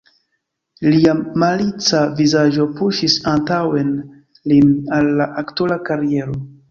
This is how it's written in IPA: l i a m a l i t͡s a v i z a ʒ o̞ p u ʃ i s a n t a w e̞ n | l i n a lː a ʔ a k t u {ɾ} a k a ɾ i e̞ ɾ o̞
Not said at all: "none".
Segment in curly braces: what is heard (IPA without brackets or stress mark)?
l